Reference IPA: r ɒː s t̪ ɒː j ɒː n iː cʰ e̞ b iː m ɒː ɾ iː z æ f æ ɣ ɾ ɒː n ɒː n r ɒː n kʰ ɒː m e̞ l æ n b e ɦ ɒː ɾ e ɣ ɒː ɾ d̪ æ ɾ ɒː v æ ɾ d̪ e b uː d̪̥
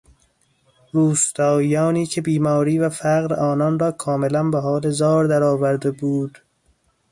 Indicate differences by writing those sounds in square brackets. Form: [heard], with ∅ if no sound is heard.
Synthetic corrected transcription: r [uː] s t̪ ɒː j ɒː n iː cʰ e̞ b iː m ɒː ɾ iː [v] æ f æ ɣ ɾ ɒː n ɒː n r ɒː [∅] kʰ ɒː m e̞ l æ n b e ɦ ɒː [l] e [z] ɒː ɾ d̪ æ ɾ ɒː v æ ɾ d̪ e b uː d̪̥